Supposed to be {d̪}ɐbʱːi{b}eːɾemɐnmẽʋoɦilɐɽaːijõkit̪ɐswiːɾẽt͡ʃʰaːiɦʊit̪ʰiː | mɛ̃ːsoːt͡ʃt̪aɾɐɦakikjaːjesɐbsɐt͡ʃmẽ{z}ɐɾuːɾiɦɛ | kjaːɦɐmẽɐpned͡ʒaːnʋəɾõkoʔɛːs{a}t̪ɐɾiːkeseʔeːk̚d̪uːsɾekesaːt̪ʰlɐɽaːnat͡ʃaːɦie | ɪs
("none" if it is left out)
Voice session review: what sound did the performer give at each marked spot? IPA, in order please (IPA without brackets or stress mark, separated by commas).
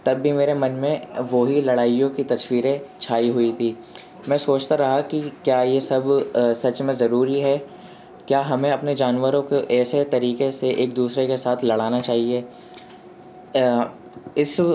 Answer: t̪, m, z, e